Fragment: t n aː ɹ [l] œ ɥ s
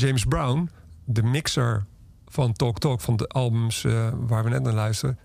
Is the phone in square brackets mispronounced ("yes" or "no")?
no